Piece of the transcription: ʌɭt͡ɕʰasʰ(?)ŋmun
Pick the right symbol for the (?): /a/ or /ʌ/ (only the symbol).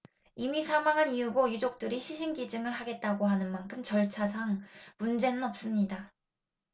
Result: a